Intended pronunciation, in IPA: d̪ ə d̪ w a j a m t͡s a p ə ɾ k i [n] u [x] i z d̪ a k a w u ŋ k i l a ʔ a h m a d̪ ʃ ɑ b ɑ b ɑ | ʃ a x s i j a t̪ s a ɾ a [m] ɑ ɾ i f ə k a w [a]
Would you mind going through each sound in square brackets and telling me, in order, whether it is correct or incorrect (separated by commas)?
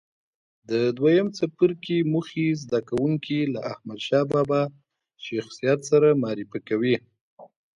incorrect, correct, correct, incorrect